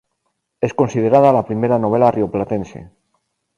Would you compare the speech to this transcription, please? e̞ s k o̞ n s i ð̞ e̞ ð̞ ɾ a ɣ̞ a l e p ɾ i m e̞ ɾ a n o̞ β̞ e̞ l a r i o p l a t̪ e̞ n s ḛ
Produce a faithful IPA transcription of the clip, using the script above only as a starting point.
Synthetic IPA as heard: e̞ s k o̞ n s i ð̞ e̞ ɾ a ð̞ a l a p ɾ i m e̞ ɾ a n o̞ β̞ e̞ l a r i o p l a t̪ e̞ n s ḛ